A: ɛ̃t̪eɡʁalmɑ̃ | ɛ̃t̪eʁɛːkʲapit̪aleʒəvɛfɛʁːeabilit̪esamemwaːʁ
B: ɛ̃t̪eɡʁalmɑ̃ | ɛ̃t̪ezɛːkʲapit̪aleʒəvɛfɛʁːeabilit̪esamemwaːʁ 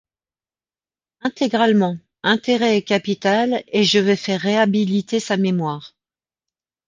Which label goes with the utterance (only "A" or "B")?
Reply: A